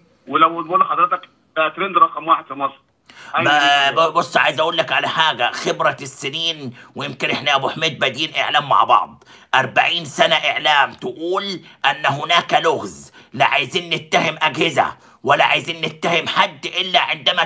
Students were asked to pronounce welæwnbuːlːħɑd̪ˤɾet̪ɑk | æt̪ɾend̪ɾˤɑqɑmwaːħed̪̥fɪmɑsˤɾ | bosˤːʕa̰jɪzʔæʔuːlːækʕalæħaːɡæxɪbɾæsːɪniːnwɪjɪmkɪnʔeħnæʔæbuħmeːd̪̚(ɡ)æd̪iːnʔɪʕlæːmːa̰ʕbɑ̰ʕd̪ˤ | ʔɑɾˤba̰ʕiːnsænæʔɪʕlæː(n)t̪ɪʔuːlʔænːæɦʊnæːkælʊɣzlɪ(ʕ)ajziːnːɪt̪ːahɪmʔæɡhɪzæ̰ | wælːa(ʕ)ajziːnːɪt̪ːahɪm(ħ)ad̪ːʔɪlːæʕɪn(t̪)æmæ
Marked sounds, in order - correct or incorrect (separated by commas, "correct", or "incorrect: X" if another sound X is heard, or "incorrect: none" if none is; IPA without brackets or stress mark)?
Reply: incorrect: b, incorrect: m, correct, correct, correct, incorrect: d̪